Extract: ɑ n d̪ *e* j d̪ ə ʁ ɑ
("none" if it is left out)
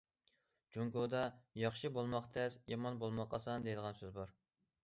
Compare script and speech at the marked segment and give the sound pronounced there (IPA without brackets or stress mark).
e